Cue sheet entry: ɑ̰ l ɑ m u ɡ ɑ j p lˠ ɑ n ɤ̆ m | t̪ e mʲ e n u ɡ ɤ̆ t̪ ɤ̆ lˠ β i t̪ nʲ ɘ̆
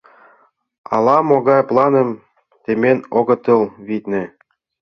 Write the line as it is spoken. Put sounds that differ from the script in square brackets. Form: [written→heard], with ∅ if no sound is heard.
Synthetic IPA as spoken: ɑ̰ l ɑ m [u→o] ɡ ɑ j p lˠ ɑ n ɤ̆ m | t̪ e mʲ e n [u→o] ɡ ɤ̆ t̪ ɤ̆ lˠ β i t̪ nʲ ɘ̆